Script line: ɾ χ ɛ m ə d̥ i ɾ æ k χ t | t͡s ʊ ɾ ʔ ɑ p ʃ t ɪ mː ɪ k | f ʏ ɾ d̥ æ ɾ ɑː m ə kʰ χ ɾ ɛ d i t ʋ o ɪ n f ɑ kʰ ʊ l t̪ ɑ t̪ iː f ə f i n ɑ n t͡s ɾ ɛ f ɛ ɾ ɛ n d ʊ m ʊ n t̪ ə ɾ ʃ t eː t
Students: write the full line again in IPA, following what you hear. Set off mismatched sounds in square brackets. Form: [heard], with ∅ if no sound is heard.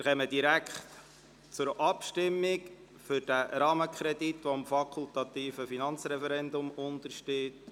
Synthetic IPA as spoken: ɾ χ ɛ m ə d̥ i ɾ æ k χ t | t͡s ʊ ɾ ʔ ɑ p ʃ t ɪ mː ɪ k | f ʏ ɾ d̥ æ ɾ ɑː m ə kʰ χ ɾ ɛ d i t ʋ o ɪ [m] f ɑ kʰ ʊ l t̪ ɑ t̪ iː f ə f i n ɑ n t͡s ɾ ɛ f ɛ ɾ ɛ n d ʊ m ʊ n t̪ ə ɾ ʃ t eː t